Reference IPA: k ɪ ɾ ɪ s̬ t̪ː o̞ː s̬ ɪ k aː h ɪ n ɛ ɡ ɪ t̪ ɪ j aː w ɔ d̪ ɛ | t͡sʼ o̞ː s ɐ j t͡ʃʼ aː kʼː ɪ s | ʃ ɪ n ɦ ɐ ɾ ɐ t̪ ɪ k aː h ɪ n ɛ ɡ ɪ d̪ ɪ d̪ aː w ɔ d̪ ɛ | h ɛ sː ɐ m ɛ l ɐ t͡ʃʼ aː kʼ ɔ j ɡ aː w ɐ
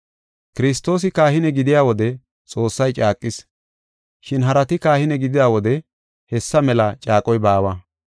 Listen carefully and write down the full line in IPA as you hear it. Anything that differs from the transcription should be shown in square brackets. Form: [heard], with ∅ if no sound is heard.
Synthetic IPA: k ɪ ɾ ɪ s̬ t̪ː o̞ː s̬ ɪ k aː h ɪ n ɛ ɡ ɪ [d̪] ɪ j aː w ɔ d̪ ɛ | t͡sʼ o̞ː [sː] ɐ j t͡ʃʼ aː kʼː ɪ s | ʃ ɪ n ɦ ɐ ɾ ɐ t̪ ɪ k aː h ɪ n ɛ ɡ ɪ d̪ ɪ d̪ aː w ɔ d̪ ɛ | h ɛ sː ɐ m ɛ l ɐ t͡ʃʼ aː kʼ ɔ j [b] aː w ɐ